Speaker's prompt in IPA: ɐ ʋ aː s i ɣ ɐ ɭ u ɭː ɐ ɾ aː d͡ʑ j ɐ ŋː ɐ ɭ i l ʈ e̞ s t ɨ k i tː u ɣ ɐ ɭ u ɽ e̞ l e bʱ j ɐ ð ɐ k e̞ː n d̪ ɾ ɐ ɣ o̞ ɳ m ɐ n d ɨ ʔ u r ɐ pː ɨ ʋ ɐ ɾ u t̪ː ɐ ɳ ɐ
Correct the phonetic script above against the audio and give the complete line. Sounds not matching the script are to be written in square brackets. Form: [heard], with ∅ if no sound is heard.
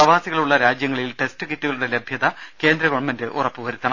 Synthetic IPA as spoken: ɐ ʋ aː s i ɣ ɐ ɭ u ɭː ɐ ɾ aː d͡ʑ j ɐ ŋː ɐ ɭ i l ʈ e̞ s t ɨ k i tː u ɣ ɐ ɭ u ɽ e̞ l e bʱ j ɐ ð ɐ k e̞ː n d̪ ɾ ɐ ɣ o̞ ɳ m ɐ n d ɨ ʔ u r ɐ pː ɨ ʋ ɐ ɾ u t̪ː ɐ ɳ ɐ